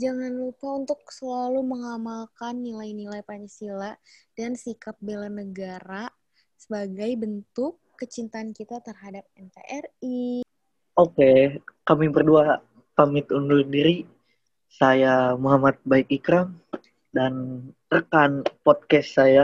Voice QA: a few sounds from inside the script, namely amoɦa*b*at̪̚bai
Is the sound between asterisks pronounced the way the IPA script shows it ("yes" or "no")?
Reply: no